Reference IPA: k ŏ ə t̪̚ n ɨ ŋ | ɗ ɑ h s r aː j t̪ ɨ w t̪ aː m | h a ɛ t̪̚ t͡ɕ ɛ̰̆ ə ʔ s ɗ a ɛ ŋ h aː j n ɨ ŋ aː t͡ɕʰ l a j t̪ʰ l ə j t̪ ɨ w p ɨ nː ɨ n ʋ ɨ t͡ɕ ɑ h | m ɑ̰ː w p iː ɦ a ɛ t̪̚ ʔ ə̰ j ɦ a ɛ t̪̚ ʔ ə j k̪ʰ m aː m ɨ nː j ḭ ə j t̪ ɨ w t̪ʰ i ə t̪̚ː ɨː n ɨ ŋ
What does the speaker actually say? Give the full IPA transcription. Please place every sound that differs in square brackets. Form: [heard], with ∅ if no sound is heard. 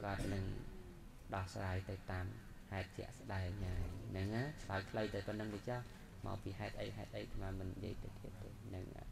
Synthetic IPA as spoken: k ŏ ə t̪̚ n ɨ ŋ | ɗ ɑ h s r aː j t̪ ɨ w t̪ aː m | h a ɛ t̪̚ t͡ɕ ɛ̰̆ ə ʔ s ɗ a ɛ ŋ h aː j n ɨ ŋ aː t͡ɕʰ l a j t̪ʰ l ə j t̪ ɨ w p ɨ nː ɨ [ŋ] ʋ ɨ t͡ɕ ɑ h | m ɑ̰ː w p iː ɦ a ɛ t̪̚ ʔ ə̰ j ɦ a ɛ t̪̚ ʔ ə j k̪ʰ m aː m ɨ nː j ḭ ə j t̪ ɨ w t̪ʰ i ə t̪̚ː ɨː n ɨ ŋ